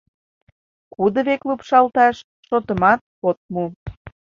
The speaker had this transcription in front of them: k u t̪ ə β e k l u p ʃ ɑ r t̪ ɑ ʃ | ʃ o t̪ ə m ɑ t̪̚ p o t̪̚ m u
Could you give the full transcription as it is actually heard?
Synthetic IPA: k u d̪ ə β e k l u p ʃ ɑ l t̪ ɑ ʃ | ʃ o t̪ ə m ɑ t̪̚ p o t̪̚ m u